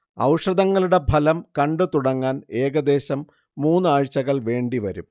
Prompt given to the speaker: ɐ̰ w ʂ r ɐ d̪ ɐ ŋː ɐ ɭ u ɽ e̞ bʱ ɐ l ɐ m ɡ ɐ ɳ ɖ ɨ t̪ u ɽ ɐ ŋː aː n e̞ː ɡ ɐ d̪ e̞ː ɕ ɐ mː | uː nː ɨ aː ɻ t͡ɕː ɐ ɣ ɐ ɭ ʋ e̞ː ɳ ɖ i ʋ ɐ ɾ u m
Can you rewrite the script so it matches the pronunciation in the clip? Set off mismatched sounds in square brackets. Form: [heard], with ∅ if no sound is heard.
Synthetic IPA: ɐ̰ w ʂ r ɐ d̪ ɐ ŋː ɐ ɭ u ɽ e̞ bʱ ɐ l ɐ m [k] ɐ ɳ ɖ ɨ t̪ u ɽ ɐ ŋː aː n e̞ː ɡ ɐ d̪ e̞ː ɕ ɐ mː | uː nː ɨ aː ɻ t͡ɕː ɐ ɣ ɐ ɭ ʋ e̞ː ɳ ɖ i ʋ ɐ ɾ u m